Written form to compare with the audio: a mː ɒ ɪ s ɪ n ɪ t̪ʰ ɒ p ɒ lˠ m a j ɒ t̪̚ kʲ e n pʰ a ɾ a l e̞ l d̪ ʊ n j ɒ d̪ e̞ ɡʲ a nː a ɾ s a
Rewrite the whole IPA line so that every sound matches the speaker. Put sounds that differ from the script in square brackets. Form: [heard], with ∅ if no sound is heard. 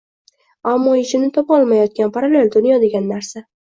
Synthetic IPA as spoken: a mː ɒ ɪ [ʃ] ɪ n ɪ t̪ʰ ɒ p ɒ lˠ m a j ɒ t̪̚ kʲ [a] n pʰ a ɾ a l e̞ l d̪ ʊ n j ɒ d̪ e̞ ɡʲ a nː a ɾ s a

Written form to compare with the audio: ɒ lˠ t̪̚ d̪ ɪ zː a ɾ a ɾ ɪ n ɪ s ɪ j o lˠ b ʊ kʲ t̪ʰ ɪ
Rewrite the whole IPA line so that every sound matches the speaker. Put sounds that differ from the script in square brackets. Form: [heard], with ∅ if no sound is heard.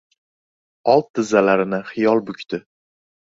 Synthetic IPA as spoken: ɒ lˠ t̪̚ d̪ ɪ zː a [l] a ɾ ɪ n ɪ [χ] ɪ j [ɒ] lˠ b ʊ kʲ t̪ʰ ɪ

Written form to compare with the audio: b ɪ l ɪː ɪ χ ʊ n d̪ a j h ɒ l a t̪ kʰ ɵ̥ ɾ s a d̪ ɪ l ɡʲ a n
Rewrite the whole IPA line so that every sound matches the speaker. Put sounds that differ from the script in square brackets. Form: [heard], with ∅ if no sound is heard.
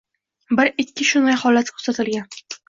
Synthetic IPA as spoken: b ɪ [ɾ] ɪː ɪ [ʃ] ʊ n d̪ a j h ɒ l a t̪ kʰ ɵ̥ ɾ s a [t̪] ɪ l ɡʲ a n

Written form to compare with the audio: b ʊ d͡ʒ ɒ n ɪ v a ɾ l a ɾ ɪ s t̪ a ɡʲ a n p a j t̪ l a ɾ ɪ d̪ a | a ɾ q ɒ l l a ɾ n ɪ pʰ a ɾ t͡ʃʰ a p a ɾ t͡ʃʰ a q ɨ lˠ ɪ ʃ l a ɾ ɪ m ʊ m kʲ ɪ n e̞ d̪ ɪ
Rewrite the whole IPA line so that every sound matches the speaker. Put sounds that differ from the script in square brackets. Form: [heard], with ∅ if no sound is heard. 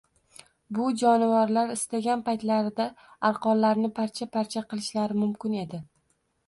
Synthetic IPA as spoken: b ʊ d͡ʒ ɒ n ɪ v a ɾ l a ɾ ɪ s t̪ a ɡʲ a n p a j t̪ l a ɾ ɪ d̪ a | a ɾ q ɒ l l a ɾ n ɪ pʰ a ɾ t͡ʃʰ a p a ɾ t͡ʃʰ a q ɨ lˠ ɪ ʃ l a ɾ ɪ m ʊ m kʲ ɪ n e̞ d̪ ɪ

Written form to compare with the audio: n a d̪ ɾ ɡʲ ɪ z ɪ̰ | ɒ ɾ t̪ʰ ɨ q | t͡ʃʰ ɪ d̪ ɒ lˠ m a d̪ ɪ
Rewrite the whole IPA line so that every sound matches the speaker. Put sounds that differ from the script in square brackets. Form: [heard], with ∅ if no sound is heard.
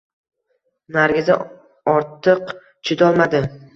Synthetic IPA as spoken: n a [∅] ɾ ɡʲ ɪ z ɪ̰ | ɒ ɾ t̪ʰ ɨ q | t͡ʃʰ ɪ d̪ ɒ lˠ m a d̪ ɪ

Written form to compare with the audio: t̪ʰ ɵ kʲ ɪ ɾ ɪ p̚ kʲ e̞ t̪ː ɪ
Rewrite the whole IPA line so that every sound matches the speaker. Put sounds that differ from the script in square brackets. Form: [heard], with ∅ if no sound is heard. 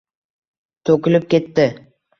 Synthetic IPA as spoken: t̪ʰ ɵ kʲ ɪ [l] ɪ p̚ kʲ e̞ t̪ː ɪ

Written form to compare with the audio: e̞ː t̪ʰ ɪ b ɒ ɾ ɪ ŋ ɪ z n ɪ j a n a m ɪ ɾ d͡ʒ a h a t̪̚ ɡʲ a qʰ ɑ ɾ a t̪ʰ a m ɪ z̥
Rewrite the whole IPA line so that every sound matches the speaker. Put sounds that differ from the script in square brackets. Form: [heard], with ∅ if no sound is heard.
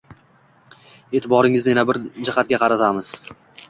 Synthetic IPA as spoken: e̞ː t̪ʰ ɪ b ɒ ɾ ɪ ŋ ɪ z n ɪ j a n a [b] ɪ ɾ d͡ʒ a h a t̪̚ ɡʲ a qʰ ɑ ɾ a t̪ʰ a m ɪ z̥

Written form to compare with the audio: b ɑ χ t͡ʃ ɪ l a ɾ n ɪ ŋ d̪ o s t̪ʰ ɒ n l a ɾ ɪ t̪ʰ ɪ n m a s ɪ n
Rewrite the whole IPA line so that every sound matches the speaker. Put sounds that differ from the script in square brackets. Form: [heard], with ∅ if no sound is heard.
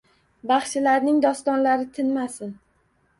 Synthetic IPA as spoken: b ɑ χ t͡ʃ ɪ l a ɾ n ɪ ŋ d̪ [ɒ] s [t̪] ɒ n l a ɾ ɪ t̪ʰ ɪ n m a s ɪ n

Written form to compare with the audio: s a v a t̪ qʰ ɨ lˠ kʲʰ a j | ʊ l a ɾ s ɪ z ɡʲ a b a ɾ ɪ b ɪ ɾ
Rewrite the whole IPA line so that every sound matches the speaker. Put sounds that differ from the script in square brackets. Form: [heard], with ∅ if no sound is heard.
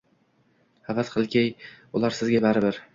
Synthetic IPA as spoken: [h] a v a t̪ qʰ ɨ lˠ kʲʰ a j | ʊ l a ɾ s ɪ z ɡʲ a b a ɾ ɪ b ɪ ɾ

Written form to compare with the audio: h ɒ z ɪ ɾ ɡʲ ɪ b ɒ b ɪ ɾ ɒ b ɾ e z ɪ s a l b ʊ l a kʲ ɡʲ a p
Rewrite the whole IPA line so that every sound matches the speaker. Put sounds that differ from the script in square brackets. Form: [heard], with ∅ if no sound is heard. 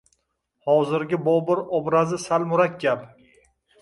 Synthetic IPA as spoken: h ɒ z ɪ ɾ ɡʲ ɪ b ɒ b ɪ ɾ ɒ b ɾ [a] z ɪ s a l [m] ʊ [ɾ] a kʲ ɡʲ a p

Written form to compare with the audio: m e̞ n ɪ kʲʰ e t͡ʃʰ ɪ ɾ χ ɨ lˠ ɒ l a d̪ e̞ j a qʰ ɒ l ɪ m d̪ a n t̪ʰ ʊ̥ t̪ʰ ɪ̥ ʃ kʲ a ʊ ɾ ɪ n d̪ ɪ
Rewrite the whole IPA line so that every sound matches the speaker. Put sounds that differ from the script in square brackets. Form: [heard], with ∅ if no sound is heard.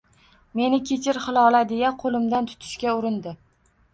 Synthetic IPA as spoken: m e̞ n ɪ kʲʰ e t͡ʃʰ ɪ ɾ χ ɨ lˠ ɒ l a d̪ e̞ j a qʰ [o] l ɪ m d̪ a n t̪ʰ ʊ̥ t̪ʰ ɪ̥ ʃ kʲ a ʊ ɾ ɪ n d̪ ɪ

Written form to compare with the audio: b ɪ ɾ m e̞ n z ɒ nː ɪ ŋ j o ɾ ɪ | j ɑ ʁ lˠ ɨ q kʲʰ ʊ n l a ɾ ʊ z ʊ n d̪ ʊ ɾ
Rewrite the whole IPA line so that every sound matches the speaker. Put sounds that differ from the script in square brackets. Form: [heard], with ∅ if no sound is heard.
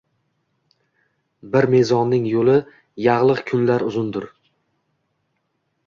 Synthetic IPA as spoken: b ɪ ɾ m e̞ [∅] z ɒ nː ɪ ŋ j o [l] ɪ | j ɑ ʁ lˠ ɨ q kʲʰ ʊ n l a ɾ ʊ z ʊ n d̪ ʊ ɾ

